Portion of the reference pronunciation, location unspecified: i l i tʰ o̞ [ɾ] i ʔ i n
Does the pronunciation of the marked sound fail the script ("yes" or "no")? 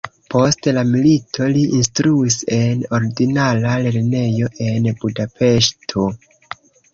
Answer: yes